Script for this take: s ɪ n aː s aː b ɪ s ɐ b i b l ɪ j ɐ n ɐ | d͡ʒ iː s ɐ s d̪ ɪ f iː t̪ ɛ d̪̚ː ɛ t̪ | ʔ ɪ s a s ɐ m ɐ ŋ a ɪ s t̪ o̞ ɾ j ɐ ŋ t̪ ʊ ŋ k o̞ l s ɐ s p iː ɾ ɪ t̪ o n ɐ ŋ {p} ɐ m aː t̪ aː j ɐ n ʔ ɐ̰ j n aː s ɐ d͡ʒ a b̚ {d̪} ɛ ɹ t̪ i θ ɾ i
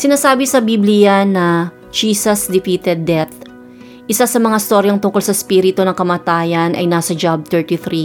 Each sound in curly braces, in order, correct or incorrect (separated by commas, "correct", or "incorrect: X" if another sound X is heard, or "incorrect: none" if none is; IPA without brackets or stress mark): incorrect: k, incorrect: t̪